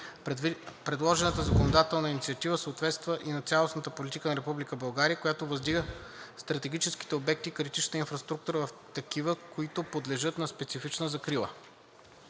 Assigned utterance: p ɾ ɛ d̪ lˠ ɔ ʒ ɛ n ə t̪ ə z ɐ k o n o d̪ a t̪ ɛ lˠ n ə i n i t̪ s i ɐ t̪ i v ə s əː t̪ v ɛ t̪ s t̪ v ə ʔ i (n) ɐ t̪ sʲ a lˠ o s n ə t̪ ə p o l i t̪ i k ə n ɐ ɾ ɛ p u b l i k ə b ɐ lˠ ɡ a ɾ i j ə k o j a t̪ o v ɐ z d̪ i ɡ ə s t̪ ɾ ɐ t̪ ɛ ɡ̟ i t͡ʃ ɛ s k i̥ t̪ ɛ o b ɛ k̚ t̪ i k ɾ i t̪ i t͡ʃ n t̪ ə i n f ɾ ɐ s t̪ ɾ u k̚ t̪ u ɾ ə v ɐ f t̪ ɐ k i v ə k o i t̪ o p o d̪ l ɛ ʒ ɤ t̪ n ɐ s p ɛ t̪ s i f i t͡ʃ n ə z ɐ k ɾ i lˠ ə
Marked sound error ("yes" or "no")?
no